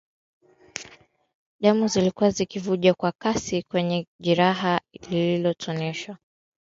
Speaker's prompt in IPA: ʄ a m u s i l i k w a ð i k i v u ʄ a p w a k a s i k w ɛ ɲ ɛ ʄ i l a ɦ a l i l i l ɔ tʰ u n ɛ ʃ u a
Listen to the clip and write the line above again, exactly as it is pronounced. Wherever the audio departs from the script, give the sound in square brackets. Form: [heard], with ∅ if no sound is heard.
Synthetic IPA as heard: ʄ a m u [z] i l i k [u] a [z] i k i v u ʄ a [k] w a k a s i k w ɛ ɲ ɛ ʄ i [ɾ] a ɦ a l i l i l ɔ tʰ [ɔ] n ɛ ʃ [w] a